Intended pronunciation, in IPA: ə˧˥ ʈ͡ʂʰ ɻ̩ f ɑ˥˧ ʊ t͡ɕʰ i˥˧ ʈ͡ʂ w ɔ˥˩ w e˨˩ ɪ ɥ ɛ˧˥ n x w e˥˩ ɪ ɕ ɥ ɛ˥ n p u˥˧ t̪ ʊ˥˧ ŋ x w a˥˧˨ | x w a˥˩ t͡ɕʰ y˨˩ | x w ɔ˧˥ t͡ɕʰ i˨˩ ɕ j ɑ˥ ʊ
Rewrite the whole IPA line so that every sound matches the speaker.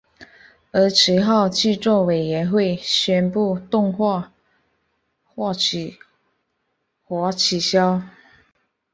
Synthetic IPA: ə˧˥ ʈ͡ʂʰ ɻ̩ x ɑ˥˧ ʊ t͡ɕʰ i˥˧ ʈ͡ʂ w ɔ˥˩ w e˨˩ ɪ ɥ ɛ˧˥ n x w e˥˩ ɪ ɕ ɥ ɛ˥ n p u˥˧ t̪ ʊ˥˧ ŋ x w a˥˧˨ | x w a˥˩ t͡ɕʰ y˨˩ | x w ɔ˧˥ t͡ɕʰ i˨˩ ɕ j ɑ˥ ʊ